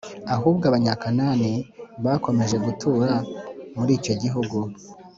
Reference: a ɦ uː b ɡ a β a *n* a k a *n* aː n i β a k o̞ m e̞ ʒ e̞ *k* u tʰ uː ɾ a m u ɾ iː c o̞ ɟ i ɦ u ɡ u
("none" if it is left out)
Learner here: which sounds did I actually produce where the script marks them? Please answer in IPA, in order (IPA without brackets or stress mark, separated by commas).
ɲ, n, ɡ